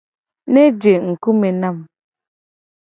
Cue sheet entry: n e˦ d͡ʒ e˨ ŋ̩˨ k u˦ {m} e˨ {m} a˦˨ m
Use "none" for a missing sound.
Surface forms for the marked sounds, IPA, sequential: m, n

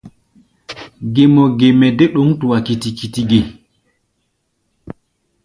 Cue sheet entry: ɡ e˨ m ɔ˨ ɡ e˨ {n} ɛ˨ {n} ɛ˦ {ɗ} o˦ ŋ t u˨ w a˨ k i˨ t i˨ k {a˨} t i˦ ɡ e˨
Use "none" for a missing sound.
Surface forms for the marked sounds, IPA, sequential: m, d, ɗ, i˨

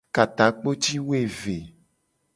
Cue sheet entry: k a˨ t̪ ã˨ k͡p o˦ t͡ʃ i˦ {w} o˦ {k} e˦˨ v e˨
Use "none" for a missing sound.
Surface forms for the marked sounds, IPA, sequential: w, none

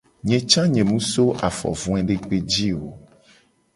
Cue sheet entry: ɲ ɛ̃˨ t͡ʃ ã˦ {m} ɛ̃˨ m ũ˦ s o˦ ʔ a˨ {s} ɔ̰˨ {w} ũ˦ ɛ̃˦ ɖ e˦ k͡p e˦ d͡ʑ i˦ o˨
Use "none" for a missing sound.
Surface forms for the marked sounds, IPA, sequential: ɲ, f, v

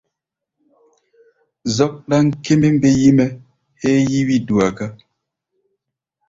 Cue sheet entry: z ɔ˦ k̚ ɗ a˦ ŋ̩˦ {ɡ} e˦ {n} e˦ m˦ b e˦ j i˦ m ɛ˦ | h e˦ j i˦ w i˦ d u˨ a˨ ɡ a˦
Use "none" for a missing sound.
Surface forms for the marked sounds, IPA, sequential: k, m

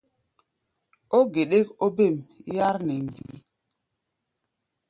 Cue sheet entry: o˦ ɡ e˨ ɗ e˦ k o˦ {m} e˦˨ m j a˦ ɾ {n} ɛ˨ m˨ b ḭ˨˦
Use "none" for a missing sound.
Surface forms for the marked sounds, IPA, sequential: b, n

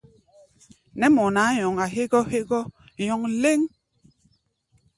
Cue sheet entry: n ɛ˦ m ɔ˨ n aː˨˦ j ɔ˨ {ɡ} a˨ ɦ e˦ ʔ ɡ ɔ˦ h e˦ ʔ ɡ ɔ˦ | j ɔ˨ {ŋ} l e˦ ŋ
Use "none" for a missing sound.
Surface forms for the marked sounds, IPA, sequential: ŋ, ŋ

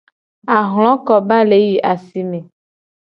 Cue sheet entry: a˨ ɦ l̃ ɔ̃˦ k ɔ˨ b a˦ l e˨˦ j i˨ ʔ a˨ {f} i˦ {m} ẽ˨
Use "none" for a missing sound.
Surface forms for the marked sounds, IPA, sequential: s, m

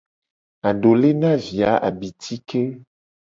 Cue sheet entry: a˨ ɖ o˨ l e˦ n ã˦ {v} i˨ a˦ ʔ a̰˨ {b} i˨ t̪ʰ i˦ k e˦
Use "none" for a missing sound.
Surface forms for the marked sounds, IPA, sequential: v, b

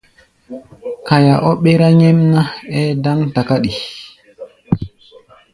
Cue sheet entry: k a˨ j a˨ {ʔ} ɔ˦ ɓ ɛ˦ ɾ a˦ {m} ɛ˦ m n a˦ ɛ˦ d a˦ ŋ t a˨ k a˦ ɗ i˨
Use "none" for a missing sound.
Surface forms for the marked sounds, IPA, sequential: ʔ, ɲ

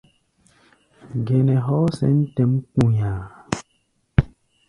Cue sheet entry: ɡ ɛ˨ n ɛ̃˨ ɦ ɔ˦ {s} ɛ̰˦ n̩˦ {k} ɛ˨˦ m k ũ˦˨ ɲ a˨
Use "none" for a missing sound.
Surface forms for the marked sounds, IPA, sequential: s, t

